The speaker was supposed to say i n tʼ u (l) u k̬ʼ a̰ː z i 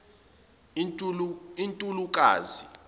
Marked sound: correct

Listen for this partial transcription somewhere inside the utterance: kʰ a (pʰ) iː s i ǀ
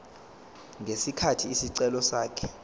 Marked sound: incorrect: tʰ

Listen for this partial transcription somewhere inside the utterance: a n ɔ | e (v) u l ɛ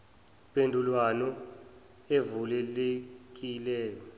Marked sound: correct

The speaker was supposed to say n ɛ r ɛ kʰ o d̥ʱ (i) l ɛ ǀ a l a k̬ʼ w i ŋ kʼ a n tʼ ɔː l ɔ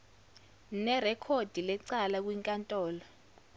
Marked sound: correct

